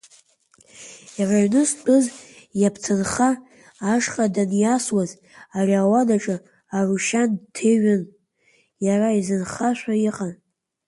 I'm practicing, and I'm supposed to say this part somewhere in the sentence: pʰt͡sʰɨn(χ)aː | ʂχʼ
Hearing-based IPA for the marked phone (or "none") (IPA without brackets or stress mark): χ